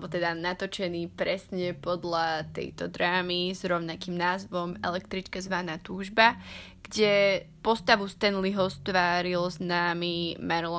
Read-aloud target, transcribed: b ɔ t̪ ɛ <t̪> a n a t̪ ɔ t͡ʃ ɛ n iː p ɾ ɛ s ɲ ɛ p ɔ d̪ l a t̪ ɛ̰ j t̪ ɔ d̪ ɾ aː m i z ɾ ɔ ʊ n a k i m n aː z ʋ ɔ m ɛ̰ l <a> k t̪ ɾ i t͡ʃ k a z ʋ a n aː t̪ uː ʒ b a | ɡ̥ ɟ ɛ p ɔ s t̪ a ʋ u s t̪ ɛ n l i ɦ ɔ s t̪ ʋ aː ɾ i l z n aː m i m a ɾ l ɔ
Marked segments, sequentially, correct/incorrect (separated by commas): incorrect, incorrect